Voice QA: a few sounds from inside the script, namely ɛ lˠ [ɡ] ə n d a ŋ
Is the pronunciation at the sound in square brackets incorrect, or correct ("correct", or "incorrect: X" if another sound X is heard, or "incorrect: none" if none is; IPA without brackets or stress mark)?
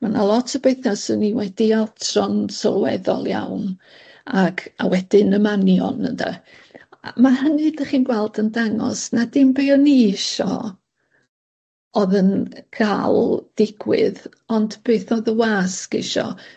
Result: incorrect: d